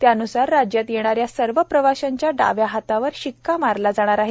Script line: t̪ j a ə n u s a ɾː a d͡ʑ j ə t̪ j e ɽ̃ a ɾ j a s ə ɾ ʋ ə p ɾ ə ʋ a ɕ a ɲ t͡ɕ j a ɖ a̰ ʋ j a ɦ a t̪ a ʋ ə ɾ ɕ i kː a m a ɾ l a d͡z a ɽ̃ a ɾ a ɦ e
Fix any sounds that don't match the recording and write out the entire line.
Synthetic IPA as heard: t̪ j a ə n u s a ɾː a d͡ʑ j a t̪ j e ɽ̃ a ɾ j a s ə ɾ ʋ ə p ɾ ə ʋ a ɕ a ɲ t͡ɕ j a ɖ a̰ ʋ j a ɦ a t̪ a ʋ ə ɾ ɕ i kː a m a ɾ l a d͡z a ɽ̃ a ɾ a ɦ e